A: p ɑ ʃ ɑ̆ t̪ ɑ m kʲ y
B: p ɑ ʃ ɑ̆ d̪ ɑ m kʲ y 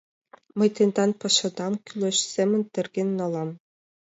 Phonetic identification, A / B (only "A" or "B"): B